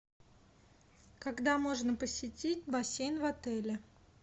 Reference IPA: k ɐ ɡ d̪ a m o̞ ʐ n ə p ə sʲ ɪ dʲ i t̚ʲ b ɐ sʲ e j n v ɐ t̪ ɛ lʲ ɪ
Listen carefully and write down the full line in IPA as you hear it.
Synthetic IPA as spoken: k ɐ ɡ d̪ a m o̞ ʐ n ə p ə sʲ ɪ tʲ i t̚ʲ b ɐ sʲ e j n v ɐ t̪ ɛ lʲ ɪ